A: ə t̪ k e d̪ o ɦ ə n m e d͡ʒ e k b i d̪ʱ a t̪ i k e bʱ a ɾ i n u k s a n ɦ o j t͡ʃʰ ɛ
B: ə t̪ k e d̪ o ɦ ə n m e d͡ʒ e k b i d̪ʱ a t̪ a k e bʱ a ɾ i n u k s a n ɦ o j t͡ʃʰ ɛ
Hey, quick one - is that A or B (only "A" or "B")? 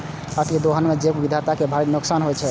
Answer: B